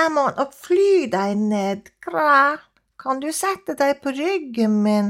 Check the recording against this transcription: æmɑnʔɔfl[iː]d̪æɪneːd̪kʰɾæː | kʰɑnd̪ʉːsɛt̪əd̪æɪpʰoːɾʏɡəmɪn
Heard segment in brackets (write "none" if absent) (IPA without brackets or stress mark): yː